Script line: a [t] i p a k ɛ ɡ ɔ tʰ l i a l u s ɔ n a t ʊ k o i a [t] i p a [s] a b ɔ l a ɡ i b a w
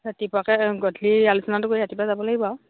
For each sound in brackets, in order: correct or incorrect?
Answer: correct, correct, incorrect

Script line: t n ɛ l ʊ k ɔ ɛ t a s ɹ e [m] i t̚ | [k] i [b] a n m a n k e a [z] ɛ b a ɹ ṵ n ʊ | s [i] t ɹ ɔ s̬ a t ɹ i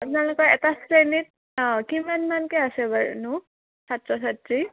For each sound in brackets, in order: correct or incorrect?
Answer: incorrect, correct, incorrect, incorrect, incorrect

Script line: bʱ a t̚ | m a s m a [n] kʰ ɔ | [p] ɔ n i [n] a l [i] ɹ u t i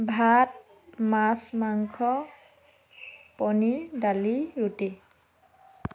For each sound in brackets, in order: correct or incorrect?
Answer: incorrect, correct, incorrect, correct

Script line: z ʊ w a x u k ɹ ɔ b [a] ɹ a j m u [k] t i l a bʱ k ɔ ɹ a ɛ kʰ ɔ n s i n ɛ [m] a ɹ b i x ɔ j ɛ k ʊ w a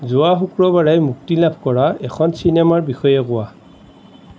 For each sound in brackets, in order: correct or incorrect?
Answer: correct, correct, correct

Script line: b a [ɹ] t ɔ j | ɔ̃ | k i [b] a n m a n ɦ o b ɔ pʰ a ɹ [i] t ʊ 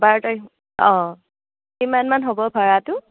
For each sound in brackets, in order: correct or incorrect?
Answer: correct, incorrect, incorrect

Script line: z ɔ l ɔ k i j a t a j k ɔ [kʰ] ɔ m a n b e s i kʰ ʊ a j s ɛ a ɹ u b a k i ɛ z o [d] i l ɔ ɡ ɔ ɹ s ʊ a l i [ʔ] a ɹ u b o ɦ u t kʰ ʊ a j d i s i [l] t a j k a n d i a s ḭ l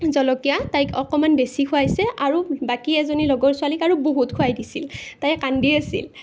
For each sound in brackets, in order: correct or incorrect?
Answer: incorrect, incorrect, incorrect, correct

